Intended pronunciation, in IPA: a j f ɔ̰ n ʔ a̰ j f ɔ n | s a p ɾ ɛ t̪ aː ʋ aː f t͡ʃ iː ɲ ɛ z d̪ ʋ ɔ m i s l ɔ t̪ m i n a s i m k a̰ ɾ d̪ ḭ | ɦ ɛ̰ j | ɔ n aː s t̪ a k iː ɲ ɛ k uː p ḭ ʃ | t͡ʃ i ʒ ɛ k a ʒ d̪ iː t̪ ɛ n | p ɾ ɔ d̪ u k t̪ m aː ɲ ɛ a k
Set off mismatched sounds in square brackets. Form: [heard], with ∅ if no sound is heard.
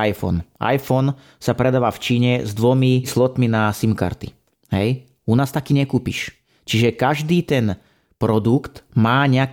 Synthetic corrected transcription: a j f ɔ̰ n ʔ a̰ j f ɔ n | s a p ɾ ɛ [d̪] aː ʋ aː f t͡ʃ iː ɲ ɛ z d̪ ʋ ɔ m i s l ɔ t̪ m i n a s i m k a̰ ɾ [t̪] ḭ | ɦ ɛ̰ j | [u] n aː s t̪ a k iː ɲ ɛ k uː p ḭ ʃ | t͡ʃ i ʒ ɛ k a ʒ d̪ iː t̪ ɛ n | p ɾ ɔ d̪ u k t̪ m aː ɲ ɛ a k